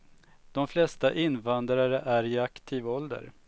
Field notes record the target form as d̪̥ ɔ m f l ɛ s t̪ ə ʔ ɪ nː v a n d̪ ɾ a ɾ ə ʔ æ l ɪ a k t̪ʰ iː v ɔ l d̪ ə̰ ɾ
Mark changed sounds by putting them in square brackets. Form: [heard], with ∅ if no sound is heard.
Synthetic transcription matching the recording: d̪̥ ɔ m f l ɛ s t̪ [a] ʔ ɪ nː v a n d̪ ɾ a ɾ ə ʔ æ [ɾ] ɪ a k t̪ʰ iː v ɔ l d̪ ə̰ ɾ